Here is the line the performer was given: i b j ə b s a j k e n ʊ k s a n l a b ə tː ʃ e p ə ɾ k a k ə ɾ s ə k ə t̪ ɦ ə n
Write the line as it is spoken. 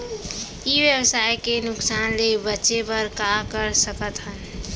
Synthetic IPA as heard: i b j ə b s a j k e n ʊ k s a n l e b ə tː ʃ e p ə ɾ k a k ə ɾ s ə k ə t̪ ɦ ə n